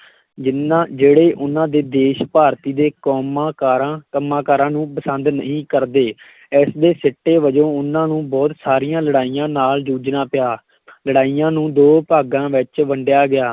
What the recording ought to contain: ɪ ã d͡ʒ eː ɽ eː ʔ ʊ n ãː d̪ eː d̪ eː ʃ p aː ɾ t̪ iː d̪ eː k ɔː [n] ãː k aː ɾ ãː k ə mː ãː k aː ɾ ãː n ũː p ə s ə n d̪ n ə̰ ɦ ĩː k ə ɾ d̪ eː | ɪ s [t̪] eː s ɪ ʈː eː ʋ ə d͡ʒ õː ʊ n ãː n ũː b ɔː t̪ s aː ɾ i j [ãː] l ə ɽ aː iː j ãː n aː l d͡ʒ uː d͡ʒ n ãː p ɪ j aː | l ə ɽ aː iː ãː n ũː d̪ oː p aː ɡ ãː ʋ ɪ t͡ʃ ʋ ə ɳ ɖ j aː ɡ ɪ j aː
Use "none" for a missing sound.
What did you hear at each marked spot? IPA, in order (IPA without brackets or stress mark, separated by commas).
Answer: m, d̪, ãː